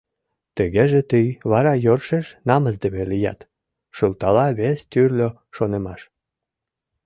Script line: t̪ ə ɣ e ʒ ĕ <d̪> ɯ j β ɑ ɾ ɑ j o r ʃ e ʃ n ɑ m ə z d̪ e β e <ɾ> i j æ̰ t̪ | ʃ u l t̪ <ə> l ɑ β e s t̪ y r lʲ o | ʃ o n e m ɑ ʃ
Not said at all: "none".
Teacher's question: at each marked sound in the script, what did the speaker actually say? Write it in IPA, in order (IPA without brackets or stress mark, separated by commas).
t̪, l, ɑ